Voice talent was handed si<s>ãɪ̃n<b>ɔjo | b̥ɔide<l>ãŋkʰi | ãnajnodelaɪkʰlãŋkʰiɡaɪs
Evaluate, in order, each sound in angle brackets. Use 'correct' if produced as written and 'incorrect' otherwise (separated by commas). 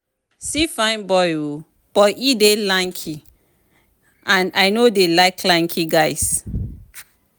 incorrect, correct, correct